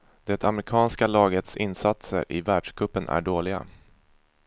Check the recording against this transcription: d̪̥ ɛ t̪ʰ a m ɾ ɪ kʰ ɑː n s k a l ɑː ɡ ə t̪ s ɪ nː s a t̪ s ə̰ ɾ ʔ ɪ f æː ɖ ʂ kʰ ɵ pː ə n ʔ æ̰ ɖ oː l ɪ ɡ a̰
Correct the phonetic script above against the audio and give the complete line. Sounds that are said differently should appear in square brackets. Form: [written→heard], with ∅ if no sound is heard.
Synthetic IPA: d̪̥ ɛ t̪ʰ a m ɾ ɪ kʰ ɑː n s k a l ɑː ɡ ə t̪ s ɪ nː s a t̪ s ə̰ ɾ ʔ ɪ [f→v] æː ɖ ʂ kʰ ɵ pː ə n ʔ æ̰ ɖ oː l ɪ ɡ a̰